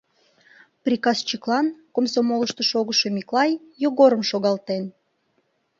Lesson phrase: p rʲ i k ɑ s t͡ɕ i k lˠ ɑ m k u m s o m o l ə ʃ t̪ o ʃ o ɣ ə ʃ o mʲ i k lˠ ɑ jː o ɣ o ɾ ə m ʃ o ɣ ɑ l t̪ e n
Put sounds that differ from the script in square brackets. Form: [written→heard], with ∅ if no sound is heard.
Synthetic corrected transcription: p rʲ i k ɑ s t͡ɕ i k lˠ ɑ [m→n] k [u→o] m s o m o l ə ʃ t̪ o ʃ o ɣ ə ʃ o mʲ i k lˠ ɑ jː o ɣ o ɾ ə m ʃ o ɣ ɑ l t̪ e n